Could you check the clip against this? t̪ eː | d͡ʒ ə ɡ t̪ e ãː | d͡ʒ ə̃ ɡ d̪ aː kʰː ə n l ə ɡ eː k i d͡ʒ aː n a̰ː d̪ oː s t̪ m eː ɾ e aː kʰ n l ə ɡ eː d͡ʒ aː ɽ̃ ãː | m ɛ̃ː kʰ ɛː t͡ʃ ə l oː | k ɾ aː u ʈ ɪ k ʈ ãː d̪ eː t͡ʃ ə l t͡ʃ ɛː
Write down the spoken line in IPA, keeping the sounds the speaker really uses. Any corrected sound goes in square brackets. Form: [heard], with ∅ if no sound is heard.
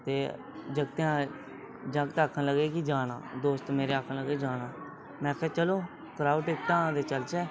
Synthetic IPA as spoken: t̪ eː | d͡ʒ ə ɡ t̪ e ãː | d͡ʒ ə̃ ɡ [t̪] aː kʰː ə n l ə ɡ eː k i d͡ʒ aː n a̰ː d̪ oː s t̪ m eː ɾ e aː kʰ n l ə ɡ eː d͡ʒ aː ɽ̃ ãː | m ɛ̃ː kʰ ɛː t͡ʃ ə l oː | k ɾ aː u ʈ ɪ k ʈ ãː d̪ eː t͡ʃ ə l t͡ʃ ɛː